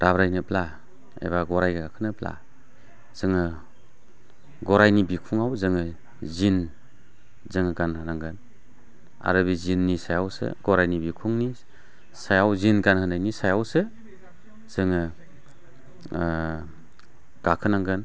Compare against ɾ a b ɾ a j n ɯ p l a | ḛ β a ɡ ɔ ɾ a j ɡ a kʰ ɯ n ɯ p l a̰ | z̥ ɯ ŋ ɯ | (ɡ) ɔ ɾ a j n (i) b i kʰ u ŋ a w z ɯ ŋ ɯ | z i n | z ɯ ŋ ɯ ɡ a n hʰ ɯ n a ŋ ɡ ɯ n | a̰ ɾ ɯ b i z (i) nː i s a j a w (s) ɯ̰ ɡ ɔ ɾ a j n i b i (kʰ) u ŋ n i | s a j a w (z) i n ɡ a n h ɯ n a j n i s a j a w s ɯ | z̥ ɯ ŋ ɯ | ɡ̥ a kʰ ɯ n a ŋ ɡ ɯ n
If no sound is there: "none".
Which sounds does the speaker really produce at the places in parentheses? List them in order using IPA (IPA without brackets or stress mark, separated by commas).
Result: ɡ, i, i, s, kʰ, z